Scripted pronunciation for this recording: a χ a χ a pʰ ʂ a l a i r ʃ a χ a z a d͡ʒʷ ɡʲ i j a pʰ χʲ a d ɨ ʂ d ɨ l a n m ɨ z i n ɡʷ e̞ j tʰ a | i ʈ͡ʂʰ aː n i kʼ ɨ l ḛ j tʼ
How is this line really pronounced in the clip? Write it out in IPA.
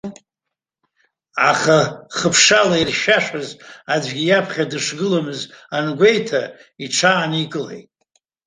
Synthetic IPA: a χ a χ ə pʰ ʂ a l a i r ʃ a ʂ a z a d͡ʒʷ ɡʲ i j a pʰ χʲ a d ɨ ʂ ɡ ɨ l a m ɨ z a n ɡʷ e̞ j tʰ a | i ʈ͡ʂʰ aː n i kʼ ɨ l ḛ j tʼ